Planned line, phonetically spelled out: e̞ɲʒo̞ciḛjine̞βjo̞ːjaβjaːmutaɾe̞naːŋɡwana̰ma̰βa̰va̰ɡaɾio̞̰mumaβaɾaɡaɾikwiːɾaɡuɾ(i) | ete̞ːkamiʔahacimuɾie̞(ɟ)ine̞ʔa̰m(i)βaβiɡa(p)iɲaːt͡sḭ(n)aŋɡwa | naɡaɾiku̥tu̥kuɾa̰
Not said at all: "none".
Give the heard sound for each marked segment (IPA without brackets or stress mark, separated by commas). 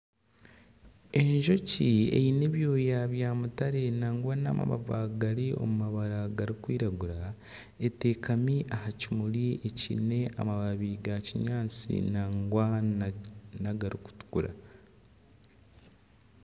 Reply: a, c, a, c, n